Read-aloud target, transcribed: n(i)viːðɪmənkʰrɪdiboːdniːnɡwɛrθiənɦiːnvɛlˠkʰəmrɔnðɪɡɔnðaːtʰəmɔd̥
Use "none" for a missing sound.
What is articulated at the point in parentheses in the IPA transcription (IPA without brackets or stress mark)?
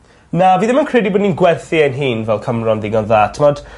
a